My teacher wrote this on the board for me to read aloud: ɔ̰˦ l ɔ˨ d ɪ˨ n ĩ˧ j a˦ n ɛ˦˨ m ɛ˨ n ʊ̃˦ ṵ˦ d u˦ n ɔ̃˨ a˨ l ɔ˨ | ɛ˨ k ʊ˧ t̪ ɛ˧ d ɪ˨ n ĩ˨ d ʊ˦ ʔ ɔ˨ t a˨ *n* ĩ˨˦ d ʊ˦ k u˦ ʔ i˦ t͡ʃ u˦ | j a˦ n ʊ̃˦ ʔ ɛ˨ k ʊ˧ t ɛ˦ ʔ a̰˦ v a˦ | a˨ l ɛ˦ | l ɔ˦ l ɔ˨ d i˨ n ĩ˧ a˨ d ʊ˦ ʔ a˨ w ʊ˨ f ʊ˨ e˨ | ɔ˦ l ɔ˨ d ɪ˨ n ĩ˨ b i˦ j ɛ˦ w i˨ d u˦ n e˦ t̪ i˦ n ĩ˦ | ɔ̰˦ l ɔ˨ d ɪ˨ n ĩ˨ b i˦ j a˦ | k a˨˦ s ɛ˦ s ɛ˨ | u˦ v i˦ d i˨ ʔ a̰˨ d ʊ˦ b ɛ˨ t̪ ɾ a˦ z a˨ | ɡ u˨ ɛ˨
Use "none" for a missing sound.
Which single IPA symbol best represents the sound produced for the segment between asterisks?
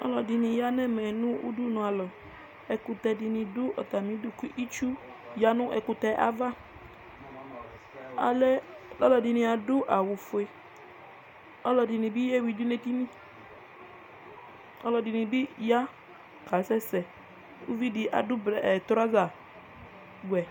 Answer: m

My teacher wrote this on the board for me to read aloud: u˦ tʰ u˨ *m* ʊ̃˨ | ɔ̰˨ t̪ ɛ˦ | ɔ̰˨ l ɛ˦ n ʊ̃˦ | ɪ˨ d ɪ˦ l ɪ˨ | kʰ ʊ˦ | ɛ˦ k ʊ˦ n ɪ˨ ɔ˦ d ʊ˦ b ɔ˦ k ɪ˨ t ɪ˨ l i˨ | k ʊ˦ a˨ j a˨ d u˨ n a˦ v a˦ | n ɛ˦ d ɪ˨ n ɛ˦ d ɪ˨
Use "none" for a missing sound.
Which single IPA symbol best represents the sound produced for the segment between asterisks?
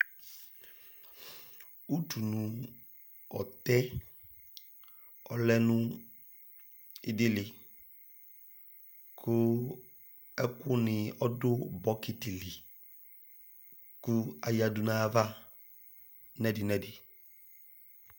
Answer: n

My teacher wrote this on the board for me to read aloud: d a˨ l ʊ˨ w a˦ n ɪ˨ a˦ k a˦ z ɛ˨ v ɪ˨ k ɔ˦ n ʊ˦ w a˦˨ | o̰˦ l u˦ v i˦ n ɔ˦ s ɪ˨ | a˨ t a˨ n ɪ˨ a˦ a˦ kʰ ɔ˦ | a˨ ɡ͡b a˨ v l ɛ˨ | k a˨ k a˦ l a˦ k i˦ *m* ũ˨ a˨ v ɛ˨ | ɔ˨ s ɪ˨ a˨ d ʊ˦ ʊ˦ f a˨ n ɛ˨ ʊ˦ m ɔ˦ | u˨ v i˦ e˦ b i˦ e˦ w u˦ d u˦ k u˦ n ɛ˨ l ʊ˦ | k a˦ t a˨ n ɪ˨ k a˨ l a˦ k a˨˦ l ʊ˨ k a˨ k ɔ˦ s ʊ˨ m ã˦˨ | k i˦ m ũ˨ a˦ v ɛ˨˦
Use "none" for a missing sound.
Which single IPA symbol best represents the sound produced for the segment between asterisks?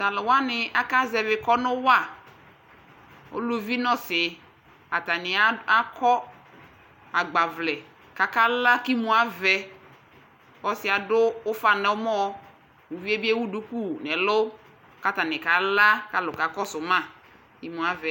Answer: m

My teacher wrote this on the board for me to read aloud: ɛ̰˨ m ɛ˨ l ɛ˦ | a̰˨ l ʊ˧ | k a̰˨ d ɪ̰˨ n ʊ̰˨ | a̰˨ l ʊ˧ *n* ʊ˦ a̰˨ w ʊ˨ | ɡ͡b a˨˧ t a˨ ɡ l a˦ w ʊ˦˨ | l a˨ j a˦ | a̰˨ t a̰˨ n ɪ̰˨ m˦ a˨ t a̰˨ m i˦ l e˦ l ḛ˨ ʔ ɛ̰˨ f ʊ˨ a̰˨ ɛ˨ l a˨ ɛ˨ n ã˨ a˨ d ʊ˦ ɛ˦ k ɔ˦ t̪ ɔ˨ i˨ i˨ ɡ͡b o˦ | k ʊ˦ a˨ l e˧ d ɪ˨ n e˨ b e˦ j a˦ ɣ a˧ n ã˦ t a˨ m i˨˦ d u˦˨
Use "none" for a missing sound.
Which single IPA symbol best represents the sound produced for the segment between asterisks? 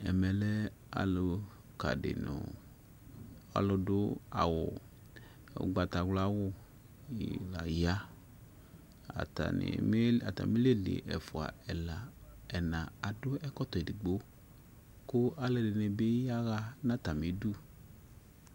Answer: d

